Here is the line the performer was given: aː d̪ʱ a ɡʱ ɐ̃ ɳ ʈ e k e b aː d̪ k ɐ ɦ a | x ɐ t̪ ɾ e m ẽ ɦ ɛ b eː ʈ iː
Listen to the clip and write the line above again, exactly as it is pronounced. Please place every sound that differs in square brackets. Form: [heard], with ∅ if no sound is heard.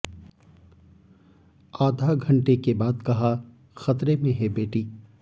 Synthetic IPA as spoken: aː d̪ʱ a ɡʱ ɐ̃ ɳ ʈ e k e b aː d̪ k ɐ ɦ a | x ɐ t̪ ɾ e m ẽ ɦ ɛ b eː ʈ iː